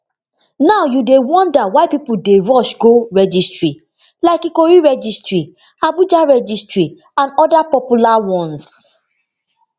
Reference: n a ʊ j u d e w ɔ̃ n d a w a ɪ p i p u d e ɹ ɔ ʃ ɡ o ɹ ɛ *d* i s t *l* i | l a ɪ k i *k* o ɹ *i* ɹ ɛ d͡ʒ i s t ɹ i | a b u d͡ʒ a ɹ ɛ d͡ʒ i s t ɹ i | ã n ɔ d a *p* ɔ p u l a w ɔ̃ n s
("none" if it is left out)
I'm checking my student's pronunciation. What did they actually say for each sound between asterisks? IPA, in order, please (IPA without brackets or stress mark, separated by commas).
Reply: d͡ʒ, ɹ, k, i, p